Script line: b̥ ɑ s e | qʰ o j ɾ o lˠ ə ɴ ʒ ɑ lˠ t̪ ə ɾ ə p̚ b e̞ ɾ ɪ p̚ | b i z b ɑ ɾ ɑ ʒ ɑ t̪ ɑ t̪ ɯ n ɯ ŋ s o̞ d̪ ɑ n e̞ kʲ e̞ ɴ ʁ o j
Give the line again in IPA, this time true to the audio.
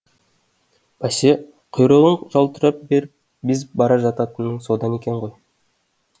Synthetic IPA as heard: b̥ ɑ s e | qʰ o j ɾ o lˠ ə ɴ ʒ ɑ lˠ t̪ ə ɾ ɑ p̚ b e̞ ɾ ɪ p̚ | b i z b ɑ ɾ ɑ ʒ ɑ t̪ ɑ t̪ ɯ n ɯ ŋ s o̞ d̪ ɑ n e̞ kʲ e̞ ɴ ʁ o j

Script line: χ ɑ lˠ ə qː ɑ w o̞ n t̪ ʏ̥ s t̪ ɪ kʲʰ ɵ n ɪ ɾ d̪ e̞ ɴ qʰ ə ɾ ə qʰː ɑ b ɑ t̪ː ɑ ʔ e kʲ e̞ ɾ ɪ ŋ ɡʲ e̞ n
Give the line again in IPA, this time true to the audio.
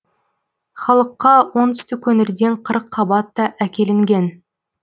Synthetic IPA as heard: χ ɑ lˠ ə qː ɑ w o̞ n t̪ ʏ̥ s t̪ ɪ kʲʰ ɵ n ɪ ɾ d̪ e̞ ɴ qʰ ə ɾ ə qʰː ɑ b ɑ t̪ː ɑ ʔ æ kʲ e̞ l ɪ ŋ ɡʲ e̞ n

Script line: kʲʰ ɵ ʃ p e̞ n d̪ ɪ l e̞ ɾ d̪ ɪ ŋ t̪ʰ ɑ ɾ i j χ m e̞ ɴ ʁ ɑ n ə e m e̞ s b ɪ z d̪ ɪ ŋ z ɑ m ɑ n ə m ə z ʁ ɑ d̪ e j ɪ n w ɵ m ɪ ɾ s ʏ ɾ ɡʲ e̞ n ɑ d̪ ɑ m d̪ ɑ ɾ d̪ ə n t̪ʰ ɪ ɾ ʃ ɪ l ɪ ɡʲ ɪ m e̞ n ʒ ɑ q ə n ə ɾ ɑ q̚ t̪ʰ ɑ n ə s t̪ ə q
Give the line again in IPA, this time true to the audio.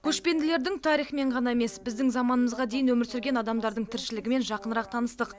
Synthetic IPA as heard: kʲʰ ɵ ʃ p e̞ n d̪ ɪ l e̞ ɾ d̪ ɪ ŋ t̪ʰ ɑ ɾ i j χ m e̞ ɴ ʁ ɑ n ɑ e m e̞ s b ɪ z d̪ ɪ ŋ z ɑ m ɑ n ə m ə z ʁ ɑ d̪ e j ɪ n w ɵ m ɪ ɾ s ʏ ɾ ɡʲ e̞ n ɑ d̪ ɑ m d̪ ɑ ɾ d̪ ə ɴ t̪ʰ ɪ ɾ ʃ ɪ l ɪ ɡʲ ɪ m e̞ n ʒ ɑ q ə n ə ɾ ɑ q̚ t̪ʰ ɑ n ə s t̪ ə q

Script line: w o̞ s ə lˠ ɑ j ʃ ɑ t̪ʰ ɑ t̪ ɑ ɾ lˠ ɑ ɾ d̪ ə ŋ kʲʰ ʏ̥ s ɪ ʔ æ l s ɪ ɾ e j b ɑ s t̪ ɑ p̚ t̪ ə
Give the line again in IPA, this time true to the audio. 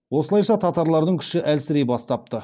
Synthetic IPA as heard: w o̞ s ə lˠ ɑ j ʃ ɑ t̪ʰ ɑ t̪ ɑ ɾ lˠ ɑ ɾ d̪ ə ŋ kʲʰ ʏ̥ ʃ ɪ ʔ æ l s ɪ ɾ e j b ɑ s t̪ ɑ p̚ t̪ ə

